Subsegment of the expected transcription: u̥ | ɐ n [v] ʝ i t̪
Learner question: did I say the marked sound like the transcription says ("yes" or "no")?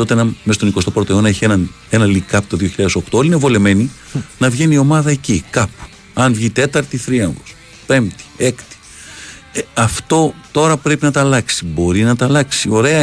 yes